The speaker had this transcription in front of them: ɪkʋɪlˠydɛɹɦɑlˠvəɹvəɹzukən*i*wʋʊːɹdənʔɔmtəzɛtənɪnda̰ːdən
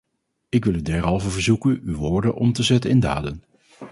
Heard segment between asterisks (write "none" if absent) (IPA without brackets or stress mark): y